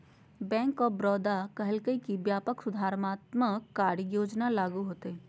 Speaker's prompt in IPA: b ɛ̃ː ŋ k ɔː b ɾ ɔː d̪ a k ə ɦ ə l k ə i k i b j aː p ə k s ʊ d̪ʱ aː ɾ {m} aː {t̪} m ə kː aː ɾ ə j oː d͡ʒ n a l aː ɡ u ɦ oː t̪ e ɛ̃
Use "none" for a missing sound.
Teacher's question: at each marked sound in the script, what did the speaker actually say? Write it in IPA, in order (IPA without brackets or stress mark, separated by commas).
m, t̪